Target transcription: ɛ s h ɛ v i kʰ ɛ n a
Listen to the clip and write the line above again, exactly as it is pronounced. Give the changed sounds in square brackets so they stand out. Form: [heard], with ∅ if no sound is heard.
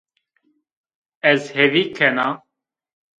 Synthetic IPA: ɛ [z] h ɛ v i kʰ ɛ n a